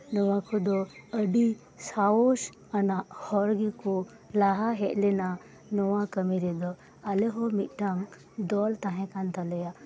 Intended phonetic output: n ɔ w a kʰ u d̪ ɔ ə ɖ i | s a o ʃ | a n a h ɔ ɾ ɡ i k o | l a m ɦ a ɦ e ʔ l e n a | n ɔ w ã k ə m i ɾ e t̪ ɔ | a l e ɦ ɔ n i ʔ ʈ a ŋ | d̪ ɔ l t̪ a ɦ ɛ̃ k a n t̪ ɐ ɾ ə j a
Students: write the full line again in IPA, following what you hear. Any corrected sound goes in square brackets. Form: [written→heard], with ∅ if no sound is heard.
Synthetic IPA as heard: n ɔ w a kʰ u d̪ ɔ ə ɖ i | s a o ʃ | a n a h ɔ ɾ ɡ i k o | l a [m→∅] ɦ a ɦ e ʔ l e n a | n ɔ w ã k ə m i ɾ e [t̪→d̪] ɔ | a l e ɦ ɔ [n→m] i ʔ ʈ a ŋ | d̪ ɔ l t̪ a ɦ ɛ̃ k a n t̪ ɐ [ɾ→l] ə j a